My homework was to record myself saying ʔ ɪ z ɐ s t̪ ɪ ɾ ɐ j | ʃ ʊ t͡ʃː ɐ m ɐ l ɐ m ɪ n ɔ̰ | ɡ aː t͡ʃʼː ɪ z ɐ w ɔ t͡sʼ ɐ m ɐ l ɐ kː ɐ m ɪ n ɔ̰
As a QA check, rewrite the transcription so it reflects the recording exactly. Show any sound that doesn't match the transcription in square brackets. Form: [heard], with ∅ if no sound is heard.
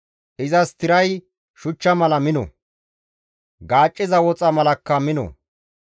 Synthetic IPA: ʔ ɪ z ɐ s t̪ ɪ ɾ ɐ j | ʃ ʊ t͡ʃː ɐ m ɐ l ɐ m ɪ n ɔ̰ | ɡ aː t͡ʃʼː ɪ z ɐ w ɔ t͡sʼ ɐ m ɐ l ɐ kː ɐ m ɪ n ɔ̰